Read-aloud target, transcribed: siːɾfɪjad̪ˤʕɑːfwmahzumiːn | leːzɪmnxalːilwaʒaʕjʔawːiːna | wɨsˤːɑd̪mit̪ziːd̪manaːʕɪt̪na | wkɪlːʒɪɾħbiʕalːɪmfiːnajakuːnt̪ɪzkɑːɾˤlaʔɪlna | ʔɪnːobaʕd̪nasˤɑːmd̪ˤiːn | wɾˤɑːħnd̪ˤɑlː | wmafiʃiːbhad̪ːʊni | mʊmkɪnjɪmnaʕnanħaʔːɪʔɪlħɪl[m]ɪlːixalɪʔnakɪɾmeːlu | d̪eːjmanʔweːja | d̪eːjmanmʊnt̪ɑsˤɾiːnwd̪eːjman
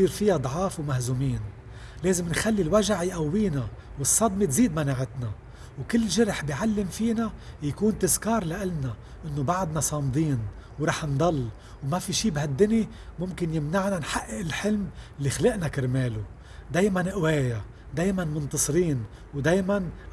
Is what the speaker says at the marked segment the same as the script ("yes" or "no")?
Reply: yes